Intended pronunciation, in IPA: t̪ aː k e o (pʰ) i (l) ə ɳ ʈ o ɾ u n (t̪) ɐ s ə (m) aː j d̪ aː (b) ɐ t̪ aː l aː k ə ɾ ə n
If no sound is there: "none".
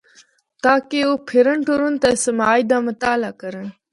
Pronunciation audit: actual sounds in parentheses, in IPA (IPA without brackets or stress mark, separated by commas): pʰ, ɾ, t̪, m, m